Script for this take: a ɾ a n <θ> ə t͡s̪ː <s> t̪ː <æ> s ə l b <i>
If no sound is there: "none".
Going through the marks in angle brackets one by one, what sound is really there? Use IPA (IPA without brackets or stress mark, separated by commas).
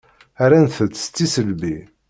θ, s, i, i